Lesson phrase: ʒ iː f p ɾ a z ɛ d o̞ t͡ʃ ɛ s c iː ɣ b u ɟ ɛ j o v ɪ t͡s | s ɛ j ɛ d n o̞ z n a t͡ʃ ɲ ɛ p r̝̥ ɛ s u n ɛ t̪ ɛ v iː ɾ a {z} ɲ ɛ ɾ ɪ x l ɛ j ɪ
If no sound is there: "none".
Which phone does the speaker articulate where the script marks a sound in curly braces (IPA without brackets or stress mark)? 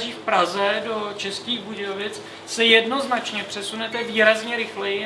z